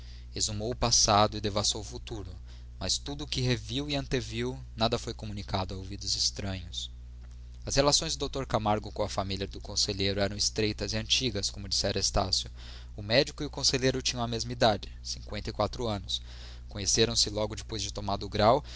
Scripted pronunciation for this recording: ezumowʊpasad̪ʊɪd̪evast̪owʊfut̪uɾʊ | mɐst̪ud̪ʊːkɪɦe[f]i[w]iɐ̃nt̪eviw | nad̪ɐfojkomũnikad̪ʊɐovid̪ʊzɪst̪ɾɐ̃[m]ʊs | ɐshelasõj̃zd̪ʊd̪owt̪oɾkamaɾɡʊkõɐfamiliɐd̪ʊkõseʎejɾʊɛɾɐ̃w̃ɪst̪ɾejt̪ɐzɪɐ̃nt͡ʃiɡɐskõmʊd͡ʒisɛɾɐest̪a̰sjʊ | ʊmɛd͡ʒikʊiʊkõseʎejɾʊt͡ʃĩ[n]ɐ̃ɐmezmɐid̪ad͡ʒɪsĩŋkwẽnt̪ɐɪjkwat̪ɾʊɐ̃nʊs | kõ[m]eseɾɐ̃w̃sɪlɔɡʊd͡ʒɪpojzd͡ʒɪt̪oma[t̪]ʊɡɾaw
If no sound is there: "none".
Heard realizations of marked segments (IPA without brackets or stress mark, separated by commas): v, w, ɲ, ɲ, ɲ, d̪